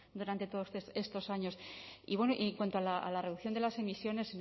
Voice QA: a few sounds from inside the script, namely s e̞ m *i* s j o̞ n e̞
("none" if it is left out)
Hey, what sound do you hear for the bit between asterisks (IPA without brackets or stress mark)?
i